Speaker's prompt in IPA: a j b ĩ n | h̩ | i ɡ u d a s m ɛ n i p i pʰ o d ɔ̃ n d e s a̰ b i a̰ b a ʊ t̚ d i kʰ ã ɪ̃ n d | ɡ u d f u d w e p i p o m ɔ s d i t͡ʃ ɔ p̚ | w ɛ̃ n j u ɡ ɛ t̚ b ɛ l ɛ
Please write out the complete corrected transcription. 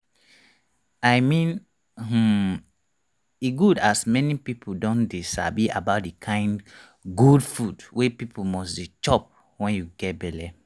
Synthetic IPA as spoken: a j m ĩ n | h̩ | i ɡ u d a s m ɛ n i p i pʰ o d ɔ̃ n d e s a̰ b i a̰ b a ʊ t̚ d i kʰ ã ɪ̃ n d | ɡ u d f u d w e p i p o m ɔ s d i t͡ʃ ɔ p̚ | w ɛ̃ n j u ɡ ɛ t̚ b ɛ l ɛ